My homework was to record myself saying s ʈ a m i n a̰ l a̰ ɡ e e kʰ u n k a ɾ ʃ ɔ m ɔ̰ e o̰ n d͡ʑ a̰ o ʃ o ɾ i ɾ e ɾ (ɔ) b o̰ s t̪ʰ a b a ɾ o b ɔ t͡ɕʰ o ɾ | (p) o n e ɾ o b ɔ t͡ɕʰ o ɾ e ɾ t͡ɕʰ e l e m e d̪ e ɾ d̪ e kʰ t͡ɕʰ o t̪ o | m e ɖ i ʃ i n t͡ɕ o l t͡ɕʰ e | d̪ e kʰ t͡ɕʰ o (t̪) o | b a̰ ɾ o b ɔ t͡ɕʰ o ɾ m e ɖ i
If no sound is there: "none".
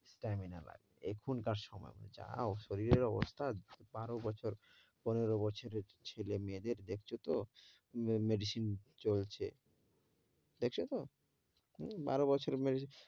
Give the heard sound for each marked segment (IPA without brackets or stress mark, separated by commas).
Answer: ɔ, p, t̪